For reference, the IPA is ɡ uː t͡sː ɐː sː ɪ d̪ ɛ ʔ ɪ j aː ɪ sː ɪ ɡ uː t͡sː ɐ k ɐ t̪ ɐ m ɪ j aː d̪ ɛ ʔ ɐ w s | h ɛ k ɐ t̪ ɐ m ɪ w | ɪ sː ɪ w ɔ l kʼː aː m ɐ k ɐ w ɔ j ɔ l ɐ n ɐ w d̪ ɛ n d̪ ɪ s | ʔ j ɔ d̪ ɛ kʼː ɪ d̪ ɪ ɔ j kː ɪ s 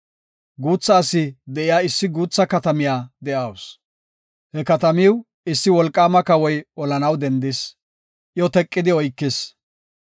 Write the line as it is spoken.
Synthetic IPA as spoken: ɡ uː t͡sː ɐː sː ɪ d̪ ɛ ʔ ɪ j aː ɪ sː ɪ ɡ uː t͡sː ɐ k ɐ t̪ ɐ m ɪ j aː d̪ ɛ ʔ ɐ w s | h ɛ k ɐ t̪ ɐ m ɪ w | ɪ sː ɪ w ɔ l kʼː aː m ɐ k ɐ w ɔ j ɔ l ɐ n ɐ w d̪ ɛ n d̪ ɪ s | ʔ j ɔ t̪ ɛ kʼː ɪ d̪ ɪ ɔ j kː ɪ s